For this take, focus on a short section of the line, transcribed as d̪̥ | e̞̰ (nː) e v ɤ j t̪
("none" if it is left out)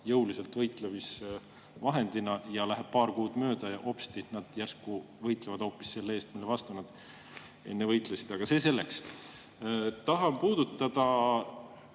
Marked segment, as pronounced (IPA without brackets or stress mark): nː